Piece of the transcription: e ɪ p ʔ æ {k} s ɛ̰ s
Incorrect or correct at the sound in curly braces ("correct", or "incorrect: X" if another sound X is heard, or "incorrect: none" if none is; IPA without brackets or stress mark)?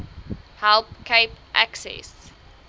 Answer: correct